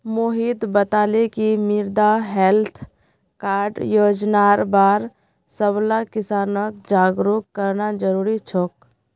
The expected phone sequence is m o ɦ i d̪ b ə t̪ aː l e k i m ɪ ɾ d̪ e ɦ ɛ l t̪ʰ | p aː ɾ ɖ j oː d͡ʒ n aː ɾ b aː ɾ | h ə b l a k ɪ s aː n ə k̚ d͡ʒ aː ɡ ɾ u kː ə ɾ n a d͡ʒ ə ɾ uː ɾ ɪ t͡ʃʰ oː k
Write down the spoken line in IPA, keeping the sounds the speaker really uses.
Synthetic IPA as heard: m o ɦ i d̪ b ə t̪ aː l e k i m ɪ ɾ d̪ a ɦ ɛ l t̪ʰ | k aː ɾ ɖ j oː d͡ʒ n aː ɾ b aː ɾ | s ə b l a k ɪ s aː n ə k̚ d͡ʒ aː ɡ ɾ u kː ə ɾ n a d͡ʒ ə ɾ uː ɾ i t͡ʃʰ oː k